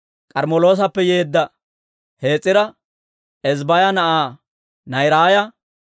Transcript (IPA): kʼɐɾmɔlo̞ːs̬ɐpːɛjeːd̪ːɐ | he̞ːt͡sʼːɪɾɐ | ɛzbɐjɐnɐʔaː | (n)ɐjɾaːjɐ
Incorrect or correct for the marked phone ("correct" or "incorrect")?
correct